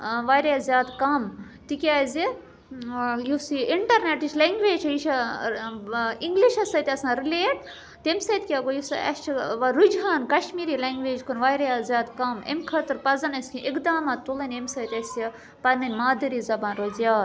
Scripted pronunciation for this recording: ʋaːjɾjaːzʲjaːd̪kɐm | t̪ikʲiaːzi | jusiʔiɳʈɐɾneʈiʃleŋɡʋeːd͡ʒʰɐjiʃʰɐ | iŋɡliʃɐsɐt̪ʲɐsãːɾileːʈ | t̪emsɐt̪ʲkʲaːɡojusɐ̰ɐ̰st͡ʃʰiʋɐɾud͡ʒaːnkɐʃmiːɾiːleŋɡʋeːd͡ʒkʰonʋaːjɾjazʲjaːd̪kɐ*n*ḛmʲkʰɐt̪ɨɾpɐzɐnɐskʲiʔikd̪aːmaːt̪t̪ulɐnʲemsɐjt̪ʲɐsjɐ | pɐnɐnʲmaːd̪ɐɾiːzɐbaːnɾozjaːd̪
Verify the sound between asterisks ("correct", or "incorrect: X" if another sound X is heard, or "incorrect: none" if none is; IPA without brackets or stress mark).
incorrect: m